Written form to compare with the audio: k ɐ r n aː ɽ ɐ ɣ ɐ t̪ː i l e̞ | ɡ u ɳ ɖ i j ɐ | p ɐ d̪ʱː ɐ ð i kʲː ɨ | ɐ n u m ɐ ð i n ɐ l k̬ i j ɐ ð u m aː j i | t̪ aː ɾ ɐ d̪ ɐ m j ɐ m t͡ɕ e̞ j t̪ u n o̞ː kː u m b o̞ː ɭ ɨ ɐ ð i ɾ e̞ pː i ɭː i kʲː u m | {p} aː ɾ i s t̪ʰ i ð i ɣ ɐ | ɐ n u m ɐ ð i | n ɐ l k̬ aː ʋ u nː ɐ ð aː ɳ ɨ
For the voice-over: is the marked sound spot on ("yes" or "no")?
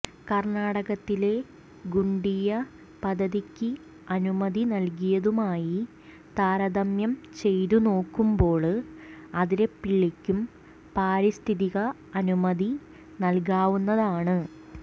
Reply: yes